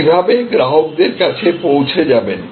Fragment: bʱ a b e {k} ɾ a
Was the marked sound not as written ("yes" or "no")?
yes